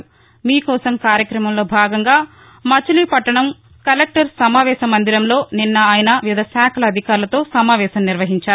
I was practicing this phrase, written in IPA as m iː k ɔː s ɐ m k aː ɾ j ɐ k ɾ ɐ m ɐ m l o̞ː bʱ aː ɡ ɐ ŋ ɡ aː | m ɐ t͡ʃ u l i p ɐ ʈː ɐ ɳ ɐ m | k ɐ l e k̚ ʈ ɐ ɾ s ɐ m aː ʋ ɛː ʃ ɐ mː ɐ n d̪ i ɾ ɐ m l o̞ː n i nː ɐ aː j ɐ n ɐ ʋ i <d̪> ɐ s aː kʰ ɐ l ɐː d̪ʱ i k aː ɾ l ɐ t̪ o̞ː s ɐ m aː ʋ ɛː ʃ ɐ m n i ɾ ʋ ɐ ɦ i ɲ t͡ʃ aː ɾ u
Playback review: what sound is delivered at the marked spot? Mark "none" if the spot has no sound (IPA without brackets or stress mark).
d̪